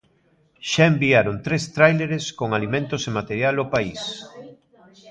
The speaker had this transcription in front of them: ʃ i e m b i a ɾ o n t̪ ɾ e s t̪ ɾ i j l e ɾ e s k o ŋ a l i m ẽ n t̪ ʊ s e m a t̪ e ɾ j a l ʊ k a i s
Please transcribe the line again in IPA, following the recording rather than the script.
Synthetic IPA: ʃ a e m b i a ɾ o n t̪ ɾ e s t̪ ɾ a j l e ɾ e s k o ŋ a l i m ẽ n t̪ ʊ s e m a t̪ e ɾ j a l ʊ p a i s